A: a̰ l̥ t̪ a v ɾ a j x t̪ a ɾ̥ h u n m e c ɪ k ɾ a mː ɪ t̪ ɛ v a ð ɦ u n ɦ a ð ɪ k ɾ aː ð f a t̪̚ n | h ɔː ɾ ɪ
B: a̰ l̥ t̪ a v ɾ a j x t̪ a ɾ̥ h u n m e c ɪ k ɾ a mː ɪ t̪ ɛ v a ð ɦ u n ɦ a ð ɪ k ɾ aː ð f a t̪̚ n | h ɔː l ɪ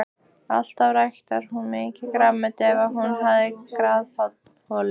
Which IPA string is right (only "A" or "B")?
B